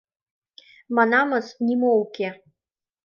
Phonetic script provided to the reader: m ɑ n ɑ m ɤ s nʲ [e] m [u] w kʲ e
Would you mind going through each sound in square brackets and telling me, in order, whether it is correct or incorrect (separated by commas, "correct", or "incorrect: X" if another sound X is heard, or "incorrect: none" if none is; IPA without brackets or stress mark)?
incorrect: i, incorrect: o